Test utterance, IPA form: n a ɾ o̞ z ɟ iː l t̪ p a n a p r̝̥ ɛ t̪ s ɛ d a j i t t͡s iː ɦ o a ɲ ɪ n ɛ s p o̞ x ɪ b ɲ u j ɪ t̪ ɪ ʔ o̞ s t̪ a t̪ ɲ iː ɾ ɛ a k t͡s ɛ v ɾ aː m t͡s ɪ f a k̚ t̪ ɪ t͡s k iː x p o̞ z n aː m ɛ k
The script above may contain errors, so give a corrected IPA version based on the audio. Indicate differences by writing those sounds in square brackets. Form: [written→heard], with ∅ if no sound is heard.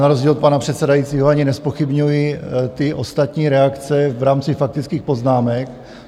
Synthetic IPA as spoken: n a ɾ o̞ z ɟ iː l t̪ p a n a p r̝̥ ɛ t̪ s ɛ d a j i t t͡s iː ɦ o a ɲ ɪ n ɛ s p o̞ x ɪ b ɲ u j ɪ t̪ ɪ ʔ o̞ s t̪ a t̪ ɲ iː ɾ ɛ a k t͡s ɛ v ɾ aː m t͡s ɪ f a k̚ t̪ ɪ t͡s k iː x p o̞ z n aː m ɛ k